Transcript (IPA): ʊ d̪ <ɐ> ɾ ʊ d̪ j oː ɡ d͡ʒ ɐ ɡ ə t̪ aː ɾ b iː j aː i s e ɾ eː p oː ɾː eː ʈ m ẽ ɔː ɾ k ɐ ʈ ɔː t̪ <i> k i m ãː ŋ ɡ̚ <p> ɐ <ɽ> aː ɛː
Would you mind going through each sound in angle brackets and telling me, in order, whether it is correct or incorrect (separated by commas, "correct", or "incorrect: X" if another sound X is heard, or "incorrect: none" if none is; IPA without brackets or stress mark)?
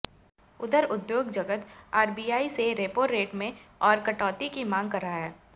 incorrect: ə, correct, incorrect: k, incorrect: ɾ